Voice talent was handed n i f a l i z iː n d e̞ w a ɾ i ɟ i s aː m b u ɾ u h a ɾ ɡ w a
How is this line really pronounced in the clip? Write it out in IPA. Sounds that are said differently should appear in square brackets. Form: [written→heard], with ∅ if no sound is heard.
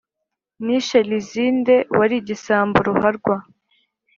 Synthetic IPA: n i [f→ʃ] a l i z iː n d e̞ w a ɾ i ɟ i s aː m b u ɾ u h a ɾ ɡ w a